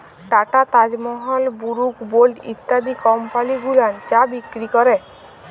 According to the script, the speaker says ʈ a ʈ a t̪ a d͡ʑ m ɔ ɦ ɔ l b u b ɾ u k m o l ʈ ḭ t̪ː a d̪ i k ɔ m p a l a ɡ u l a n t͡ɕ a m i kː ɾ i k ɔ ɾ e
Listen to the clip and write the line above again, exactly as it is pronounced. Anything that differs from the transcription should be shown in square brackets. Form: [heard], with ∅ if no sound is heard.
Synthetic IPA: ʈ a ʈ a t̪ a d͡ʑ m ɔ ɦ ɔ l b u [∅] ɾ u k [b] o l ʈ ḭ t̪ː a d̪ i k ɔ m p a l [i] ɡ u l a n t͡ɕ a [b] i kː ɾ i k ɔ ɾ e